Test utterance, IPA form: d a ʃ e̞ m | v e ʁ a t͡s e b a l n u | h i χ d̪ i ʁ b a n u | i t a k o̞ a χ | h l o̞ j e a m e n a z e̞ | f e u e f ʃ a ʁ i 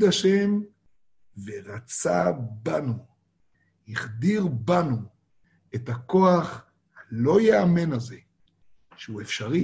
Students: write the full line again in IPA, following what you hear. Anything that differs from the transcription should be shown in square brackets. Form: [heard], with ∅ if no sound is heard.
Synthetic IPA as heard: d a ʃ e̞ m | v e ʁ a t͡s [a] b a [∅] n u | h i χ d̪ i ʁ b a n u | [e] t a k o̞ a χ | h l o̞ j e a m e n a z e̞ | [ʃ] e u e f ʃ a ʁ i